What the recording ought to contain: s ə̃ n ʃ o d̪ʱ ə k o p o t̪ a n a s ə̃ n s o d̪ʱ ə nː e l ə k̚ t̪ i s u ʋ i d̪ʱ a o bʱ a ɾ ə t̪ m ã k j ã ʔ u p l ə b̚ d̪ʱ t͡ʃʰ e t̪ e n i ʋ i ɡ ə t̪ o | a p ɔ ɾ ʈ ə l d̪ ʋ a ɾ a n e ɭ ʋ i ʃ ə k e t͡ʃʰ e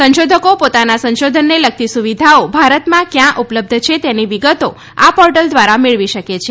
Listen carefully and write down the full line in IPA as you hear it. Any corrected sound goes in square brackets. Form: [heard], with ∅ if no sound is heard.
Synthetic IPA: s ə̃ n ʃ o d̪ʱ ə k o p o t̪ a n a s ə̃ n [ʃ] o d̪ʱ ə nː e l ə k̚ t̪ i s u ʋ i d̪ʱ a o bʱ a ɾ ə t̪ m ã k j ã ʔ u p l ə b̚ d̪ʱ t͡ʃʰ e t̪ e n i ʋ i ɡ ə t̪ o | a p ɔ ɾ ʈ ə l d̪ ʋ a ɾ a [m] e ɭ ʋ i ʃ ə k e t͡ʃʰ e

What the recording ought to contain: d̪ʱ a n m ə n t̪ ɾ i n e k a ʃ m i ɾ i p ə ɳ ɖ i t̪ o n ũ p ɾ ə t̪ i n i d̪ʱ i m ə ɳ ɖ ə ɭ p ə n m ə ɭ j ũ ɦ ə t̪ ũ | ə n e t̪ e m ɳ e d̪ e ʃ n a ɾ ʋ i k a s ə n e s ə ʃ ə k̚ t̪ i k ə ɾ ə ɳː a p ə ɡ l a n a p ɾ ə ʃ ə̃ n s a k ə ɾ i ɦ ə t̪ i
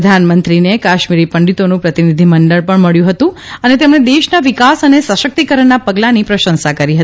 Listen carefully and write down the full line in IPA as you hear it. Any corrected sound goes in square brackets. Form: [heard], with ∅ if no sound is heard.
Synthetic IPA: d̪ʱ a n m ə n t̪ ɾ i n e k a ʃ m i ɾ i p ə ɳ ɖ i t̪ o n ũ p ɾ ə t̪ i n i d̪ʱ i m ə ɳ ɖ ə ɭ p ə [ɳ] m ə ɭ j ũ ɦ ə t̪ ũ | ə n e t̪ e m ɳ e d̪ e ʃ n a [∅] ʋ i k a s ə n e s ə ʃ ə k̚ t̪ i k ə ɾ ə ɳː a p ə ɡ l a n [i] p ɾ ə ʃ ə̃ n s a k ə ɾ i ɦ ə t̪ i

